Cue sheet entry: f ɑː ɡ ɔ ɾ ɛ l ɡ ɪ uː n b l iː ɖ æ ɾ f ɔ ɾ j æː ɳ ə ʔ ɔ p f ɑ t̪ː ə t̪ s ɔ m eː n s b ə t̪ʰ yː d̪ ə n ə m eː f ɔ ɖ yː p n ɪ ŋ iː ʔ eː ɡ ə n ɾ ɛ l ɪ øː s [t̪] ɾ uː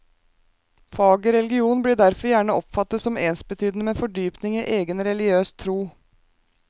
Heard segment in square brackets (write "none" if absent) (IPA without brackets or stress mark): t̪ʰ